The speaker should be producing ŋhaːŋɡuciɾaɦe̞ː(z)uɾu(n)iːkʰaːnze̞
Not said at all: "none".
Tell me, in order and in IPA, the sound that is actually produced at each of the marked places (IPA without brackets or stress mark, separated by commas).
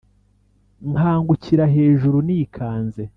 ʒ, n